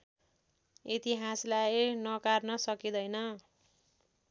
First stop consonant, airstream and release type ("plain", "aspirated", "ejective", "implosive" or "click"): plain